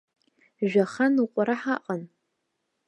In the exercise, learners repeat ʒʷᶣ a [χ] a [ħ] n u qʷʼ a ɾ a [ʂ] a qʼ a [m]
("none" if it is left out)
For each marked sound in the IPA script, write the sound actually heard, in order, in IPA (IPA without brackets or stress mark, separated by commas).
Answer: χ, none, ħ, n